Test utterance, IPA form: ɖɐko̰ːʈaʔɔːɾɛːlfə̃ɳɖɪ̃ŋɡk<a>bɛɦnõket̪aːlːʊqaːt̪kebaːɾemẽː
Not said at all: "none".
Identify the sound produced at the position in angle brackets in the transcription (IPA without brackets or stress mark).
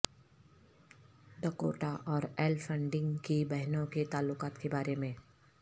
i